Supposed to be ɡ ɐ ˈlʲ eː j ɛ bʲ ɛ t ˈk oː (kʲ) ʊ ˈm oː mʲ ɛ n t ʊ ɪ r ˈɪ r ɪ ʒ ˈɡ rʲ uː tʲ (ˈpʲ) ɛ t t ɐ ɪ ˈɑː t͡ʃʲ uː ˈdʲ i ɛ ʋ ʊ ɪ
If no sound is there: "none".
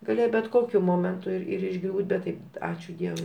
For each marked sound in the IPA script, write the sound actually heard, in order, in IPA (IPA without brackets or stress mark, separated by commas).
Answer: kʲ, bʲ